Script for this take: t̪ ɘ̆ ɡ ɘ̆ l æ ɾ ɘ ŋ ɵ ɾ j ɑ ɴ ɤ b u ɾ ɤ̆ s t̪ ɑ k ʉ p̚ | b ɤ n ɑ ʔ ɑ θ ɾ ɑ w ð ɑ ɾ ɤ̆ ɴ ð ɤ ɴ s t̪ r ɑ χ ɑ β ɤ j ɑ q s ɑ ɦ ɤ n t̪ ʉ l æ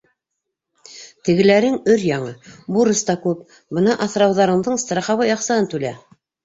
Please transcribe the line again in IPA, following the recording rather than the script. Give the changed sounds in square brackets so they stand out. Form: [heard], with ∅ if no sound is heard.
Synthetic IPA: t̪ ɘ̆ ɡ ɘ̆ l æ ɾ ɘ ŋ ɵ ɾ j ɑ ɴ ɤ b u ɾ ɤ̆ s t̪ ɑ k ʉ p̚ | b ɤ n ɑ ʔ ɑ θ ɾ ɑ w ð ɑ ɾ ɤ̆ ɴ ð ɤ ɴ s t̪ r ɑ χ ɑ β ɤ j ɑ q s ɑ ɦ ɤ n t̪ ʉ l æ